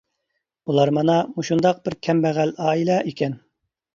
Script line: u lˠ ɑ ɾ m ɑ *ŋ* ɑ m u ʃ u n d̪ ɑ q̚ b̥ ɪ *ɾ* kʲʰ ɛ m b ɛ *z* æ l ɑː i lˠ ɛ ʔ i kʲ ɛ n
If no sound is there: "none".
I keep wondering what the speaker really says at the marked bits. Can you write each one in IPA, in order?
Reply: n, ɾ, ʁ

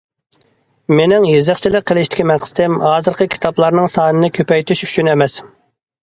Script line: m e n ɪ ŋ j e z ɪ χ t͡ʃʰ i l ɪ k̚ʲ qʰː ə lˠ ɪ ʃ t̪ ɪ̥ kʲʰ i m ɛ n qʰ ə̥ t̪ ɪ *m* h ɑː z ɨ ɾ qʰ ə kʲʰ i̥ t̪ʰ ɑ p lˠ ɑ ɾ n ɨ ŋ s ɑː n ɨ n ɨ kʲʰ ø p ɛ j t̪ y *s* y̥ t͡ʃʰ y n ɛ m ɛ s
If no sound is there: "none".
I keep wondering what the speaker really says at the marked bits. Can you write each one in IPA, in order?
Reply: m, ʃ

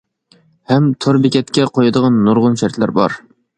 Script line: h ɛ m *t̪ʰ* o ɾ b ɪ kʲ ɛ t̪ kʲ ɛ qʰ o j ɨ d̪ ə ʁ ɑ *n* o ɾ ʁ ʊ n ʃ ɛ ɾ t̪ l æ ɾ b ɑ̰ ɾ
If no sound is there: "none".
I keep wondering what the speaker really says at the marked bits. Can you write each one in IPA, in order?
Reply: t̪ʰ, nː

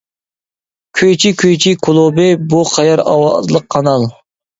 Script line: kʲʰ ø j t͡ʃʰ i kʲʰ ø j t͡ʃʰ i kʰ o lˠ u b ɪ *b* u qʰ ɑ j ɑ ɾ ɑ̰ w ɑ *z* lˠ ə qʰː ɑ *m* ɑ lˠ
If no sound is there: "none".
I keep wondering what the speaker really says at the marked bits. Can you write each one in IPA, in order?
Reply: b, z, n

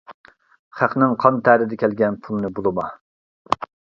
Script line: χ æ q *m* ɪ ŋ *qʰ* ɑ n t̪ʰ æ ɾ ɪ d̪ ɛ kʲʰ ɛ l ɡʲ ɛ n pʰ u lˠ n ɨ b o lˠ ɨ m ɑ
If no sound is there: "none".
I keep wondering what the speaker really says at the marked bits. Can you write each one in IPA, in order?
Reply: n, qʰ

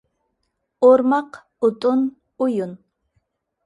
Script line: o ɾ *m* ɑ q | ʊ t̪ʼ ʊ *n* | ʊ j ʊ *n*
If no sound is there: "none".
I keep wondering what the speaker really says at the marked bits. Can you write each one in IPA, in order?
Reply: m, n, n

